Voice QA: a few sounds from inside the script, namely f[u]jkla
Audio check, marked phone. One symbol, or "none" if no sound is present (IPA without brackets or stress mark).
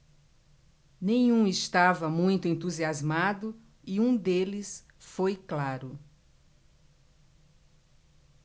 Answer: o